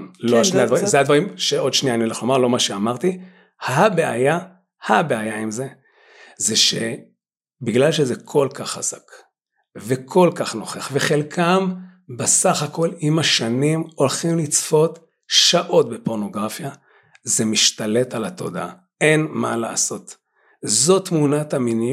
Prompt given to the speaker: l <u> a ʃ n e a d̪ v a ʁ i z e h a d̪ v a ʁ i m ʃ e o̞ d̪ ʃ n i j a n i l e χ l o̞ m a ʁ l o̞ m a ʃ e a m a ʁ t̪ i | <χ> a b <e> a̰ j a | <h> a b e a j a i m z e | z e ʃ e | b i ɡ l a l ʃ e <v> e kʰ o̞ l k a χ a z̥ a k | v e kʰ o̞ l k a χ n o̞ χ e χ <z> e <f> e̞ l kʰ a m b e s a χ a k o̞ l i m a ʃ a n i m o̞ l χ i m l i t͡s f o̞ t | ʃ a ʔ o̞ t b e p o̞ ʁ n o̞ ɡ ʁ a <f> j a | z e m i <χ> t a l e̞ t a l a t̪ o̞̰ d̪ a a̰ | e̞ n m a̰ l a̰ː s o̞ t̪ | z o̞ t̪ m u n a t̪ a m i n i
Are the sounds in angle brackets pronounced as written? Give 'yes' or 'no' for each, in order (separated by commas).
no, no, yes, yes, no, no, no, yes, no